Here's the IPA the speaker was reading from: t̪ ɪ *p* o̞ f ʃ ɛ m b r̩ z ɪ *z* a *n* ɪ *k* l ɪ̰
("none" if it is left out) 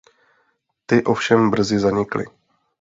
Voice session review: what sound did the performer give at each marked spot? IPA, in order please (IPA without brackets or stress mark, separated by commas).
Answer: ʔ, z, ɲ, k